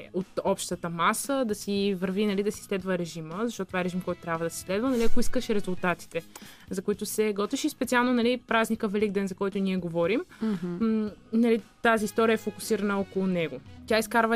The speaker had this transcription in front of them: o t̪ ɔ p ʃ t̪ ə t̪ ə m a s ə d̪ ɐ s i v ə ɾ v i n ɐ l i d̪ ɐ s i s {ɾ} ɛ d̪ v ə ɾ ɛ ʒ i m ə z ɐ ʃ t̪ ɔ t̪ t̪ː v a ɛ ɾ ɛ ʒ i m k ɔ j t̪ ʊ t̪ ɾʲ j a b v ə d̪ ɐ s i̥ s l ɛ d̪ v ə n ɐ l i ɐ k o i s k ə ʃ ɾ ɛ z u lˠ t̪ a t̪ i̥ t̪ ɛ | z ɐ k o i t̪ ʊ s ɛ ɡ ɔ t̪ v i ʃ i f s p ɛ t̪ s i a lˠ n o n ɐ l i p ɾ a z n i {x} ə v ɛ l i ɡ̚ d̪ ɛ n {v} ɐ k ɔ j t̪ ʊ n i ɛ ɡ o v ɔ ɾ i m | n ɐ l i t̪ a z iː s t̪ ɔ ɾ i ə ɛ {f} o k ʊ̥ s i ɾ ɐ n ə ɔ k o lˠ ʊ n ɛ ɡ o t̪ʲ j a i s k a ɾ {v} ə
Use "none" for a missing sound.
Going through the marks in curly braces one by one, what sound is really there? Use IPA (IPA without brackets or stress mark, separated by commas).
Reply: l, k, z, f, v